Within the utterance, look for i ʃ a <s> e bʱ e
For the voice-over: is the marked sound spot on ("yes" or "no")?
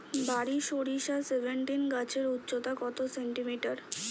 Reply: yes